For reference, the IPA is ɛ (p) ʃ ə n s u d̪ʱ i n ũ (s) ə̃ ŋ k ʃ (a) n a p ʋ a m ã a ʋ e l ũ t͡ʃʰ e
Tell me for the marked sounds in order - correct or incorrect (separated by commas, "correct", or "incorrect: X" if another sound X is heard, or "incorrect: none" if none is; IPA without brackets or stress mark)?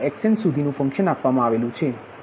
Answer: incorrect: k, incorrect: f, incorrect: ə